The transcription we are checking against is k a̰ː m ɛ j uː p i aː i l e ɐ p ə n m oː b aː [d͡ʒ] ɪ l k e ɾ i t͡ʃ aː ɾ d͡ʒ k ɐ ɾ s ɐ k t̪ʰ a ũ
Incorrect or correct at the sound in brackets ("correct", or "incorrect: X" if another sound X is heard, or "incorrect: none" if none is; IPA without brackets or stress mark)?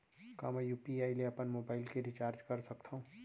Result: incorrect: none